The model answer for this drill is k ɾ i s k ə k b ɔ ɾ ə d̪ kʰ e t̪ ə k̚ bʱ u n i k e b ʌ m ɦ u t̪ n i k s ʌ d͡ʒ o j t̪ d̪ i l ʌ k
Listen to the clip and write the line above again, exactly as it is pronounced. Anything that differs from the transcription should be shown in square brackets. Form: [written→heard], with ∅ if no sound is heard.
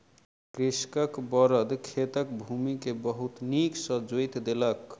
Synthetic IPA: k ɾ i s k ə k b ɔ ɾ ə d̪ kʰ e t̪ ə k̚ bʱ u [n→m] i k e b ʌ [m→∅] ɦ u t̪ n i k s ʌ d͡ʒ o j t̪ d̪ [i→e] l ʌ k